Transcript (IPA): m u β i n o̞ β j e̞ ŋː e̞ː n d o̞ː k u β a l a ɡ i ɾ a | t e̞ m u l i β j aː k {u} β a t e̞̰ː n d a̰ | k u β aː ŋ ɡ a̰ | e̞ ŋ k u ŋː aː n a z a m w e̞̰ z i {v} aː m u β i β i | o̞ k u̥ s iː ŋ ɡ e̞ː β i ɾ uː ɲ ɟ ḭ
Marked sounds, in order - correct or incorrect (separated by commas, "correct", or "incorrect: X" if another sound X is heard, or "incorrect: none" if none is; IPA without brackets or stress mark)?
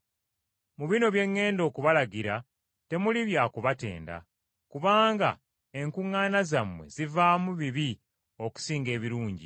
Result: correct, correct